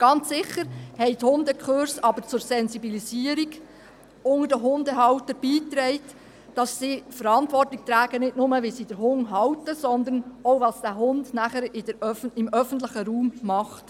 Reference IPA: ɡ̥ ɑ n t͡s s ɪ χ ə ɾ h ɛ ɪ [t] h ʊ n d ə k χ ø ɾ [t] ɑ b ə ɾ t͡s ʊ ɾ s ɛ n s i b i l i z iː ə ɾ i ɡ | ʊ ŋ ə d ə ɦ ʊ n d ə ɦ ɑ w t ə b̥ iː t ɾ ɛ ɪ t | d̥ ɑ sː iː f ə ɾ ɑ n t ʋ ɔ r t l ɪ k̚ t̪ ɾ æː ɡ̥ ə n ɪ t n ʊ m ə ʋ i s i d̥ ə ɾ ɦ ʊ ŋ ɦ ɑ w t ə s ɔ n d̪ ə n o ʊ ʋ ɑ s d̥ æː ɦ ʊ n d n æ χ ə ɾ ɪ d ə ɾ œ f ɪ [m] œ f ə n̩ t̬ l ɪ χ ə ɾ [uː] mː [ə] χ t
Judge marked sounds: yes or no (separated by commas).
yes, no, yes, yes, no